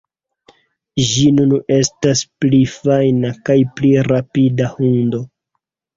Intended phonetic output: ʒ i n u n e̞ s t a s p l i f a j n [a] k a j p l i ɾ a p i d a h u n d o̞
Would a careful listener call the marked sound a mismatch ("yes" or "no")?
no